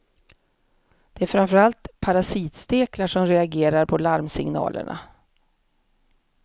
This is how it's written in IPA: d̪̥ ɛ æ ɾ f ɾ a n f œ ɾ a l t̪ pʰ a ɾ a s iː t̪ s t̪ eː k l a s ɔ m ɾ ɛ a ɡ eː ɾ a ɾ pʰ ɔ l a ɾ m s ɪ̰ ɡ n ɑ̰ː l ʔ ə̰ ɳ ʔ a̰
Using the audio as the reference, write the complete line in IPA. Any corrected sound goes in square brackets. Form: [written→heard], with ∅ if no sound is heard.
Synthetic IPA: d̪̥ ɛ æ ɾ f ɾ a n f œ ɾ a l t̪ pʰ a ɾ a s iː t̪ s t̪ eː k l a [s→ʂ] ɔ m ɾ ɛ a ɡ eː ɾ a ɾ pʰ ɔ l a ɾ m s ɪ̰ [ɡ→ŋ] n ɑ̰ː l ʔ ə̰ ɳ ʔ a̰